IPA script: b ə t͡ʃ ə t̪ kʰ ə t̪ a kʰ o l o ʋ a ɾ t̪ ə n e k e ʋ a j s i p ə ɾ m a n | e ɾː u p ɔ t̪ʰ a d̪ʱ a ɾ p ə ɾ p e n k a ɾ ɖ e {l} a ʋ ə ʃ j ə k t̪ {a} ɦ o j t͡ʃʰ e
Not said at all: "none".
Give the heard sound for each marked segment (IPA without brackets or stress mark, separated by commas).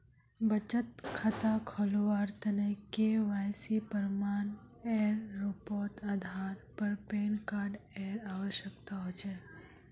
ɾ, a